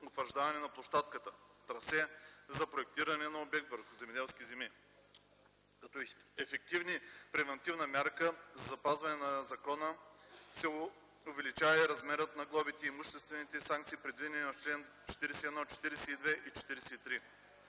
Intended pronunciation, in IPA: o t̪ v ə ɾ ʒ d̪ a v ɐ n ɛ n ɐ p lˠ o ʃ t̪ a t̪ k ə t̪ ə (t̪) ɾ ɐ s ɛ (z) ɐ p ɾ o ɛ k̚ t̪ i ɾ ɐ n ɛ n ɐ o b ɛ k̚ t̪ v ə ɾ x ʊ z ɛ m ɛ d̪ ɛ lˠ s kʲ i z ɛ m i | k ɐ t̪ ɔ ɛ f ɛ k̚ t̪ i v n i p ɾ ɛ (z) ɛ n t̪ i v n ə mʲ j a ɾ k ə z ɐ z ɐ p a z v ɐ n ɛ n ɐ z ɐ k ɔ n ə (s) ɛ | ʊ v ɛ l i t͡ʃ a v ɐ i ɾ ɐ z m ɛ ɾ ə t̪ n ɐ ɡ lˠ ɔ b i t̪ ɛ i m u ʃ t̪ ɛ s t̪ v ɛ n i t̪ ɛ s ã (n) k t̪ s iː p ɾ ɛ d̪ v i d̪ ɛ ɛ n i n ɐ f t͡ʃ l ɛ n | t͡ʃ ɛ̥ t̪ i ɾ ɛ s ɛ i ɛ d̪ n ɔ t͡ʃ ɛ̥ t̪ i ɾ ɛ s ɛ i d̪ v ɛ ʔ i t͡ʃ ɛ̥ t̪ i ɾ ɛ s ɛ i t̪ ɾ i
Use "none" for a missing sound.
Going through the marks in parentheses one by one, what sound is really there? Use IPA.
t̪, z, v, s, ŋ

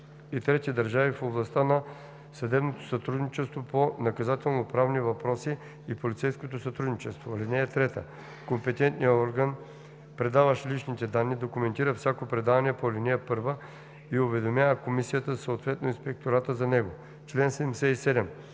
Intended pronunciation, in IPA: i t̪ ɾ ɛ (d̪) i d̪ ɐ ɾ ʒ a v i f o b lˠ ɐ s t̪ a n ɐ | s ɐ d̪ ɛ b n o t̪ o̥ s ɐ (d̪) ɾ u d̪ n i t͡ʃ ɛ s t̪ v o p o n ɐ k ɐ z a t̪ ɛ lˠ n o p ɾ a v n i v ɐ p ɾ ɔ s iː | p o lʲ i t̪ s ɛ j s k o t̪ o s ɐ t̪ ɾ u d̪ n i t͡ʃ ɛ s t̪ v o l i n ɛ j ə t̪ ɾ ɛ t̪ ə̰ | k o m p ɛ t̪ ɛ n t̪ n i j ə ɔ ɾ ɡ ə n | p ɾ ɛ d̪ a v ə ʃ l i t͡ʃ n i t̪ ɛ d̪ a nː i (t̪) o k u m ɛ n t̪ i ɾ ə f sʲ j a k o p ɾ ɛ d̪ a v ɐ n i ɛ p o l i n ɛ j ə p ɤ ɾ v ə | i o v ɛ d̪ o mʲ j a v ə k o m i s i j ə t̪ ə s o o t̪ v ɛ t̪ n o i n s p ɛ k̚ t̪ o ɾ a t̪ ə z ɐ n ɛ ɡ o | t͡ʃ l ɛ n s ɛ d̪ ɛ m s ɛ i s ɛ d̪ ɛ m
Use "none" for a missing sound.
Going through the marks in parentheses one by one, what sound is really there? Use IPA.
t̪, t̪, d̪

